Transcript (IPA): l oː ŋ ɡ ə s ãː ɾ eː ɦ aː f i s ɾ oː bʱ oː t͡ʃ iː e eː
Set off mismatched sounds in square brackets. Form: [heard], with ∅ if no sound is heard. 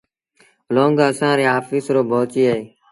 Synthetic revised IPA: l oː ŋ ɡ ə s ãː ɾ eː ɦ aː f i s ɾ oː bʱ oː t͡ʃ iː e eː